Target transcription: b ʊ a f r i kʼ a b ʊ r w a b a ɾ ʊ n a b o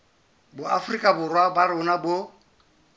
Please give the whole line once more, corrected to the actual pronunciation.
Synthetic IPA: b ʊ a f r i kʼ a b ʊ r w a b a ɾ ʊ n a b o